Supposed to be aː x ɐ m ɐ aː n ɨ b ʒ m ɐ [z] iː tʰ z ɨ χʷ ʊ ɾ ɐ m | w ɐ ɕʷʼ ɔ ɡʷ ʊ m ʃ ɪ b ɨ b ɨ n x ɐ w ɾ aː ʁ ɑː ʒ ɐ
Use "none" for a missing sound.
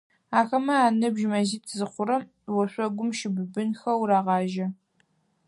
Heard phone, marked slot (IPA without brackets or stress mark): z